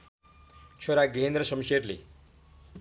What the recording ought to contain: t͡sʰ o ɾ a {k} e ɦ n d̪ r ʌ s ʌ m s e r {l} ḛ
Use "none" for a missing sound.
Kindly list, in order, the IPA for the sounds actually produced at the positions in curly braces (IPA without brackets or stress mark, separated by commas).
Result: ɡ, l